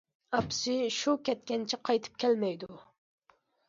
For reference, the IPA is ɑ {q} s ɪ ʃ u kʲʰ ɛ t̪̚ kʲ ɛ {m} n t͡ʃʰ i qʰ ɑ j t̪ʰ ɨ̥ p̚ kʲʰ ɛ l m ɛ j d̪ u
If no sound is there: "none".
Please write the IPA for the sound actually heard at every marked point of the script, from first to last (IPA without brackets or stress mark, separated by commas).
p, none